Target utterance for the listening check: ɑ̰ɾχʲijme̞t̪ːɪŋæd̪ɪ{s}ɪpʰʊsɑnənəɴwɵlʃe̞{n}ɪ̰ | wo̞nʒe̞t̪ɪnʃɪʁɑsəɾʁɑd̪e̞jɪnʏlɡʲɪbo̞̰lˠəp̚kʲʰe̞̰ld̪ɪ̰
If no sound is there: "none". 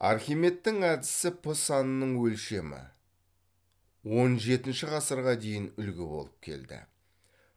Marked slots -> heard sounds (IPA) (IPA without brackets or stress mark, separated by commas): s, m